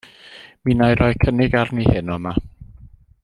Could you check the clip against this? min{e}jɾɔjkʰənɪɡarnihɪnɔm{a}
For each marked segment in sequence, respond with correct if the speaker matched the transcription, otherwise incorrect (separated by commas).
incorrect, correct